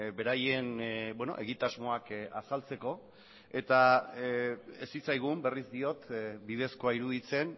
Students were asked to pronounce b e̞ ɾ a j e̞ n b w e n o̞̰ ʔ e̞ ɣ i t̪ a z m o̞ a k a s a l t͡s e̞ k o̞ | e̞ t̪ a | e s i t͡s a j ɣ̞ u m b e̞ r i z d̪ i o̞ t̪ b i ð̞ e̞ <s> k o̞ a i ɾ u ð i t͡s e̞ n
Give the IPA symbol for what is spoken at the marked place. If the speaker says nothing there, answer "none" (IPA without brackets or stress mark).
s